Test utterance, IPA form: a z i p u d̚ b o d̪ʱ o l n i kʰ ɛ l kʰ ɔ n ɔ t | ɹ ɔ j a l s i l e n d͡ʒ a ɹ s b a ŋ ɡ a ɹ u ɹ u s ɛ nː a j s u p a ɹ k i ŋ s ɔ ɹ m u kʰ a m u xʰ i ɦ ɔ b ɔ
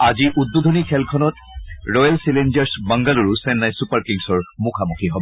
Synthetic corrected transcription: a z i ʔ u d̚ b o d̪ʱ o n i kʰ ɛ l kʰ ɔ n ɔ t | ɹ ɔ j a l s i l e n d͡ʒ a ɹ s b a ŋ ɡ a l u ɹ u s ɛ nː a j s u p a ɹ k i ŋ s ɔ ɹ m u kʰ a m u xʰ i ɦ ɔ b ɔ